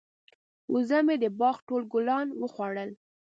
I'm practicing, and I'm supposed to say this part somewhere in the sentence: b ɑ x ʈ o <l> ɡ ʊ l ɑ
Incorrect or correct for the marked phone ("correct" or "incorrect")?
correct